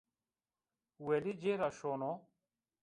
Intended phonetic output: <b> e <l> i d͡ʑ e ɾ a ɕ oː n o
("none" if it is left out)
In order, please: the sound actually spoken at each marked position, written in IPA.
w, l

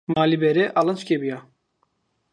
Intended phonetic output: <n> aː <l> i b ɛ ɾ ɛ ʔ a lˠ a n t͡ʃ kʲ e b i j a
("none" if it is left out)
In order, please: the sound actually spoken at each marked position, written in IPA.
m, l

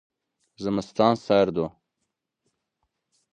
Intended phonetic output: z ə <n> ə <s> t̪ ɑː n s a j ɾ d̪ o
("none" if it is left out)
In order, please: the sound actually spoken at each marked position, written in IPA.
m, s

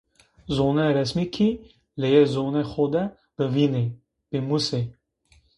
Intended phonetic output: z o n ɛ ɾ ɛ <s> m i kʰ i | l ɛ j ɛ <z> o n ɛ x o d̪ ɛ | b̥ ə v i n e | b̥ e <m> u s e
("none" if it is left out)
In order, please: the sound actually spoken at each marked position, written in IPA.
s, z, m

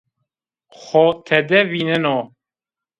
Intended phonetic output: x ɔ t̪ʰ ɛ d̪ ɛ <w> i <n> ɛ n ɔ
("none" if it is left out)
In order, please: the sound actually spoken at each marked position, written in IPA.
v, n

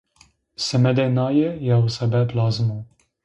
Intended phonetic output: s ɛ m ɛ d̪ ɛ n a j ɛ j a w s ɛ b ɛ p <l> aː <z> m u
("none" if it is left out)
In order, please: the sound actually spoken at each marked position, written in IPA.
l, z

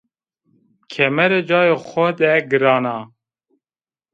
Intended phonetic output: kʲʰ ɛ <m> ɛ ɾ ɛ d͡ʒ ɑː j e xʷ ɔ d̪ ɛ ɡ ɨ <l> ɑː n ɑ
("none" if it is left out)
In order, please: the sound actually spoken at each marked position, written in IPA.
m, ɾ

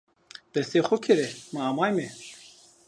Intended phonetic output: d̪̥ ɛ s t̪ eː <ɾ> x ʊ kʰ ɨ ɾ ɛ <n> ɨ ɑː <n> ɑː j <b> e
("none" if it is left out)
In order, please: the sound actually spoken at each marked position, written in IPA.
none, m, m, m

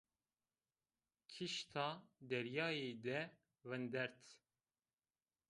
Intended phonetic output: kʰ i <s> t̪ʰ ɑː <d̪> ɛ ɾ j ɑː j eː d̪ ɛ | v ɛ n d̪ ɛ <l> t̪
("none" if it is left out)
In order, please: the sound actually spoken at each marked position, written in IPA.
ʃ, d̪, ɾ

